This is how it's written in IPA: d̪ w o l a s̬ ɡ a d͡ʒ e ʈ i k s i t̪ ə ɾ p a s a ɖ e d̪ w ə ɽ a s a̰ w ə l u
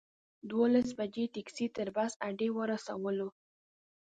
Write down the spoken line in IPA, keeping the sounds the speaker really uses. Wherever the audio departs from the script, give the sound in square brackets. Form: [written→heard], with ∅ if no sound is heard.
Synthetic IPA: d̪ w o l a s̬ [ɡ→b] a d͡ʒ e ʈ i k s i t̪ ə ɾ [p→b] a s a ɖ e [d̪→∅] w ə [ɽ→ɾ] a s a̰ w ə l [u→o]